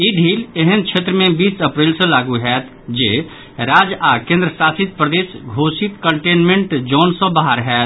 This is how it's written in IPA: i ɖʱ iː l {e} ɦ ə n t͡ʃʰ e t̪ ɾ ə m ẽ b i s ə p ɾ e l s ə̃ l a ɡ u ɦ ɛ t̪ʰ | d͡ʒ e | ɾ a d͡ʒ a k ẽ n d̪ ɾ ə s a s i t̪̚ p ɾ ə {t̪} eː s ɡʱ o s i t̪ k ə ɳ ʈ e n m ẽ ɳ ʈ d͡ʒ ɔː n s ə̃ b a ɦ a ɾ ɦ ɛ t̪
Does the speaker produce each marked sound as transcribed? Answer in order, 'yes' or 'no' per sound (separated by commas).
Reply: yes, no